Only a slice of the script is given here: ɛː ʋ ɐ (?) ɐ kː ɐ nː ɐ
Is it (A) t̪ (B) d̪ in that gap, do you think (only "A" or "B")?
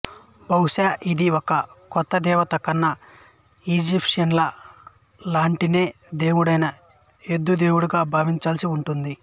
A